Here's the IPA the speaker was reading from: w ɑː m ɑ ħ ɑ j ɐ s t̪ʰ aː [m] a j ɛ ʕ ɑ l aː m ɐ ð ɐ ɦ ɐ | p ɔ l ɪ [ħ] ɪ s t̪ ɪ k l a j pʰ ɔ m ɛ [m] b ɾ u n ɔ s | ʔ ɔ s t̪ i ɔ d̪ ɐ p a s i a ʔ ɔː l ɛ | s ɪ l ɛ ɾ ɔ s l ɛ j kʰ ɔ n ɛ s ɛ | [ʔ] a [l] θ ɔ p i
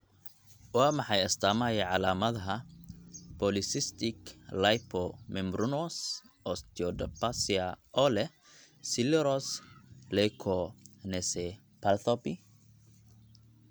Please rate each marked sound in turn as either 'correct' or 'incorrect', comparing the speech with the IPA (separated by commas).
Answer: correct, incorrect, correct, incorrect, correct